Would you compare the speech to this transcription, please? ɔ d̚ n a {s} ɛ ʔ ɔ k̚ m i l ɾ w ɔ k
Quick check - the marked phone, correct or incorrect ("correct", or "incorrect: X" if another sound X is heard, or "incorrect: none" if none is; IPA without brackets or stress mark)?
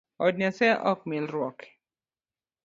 correct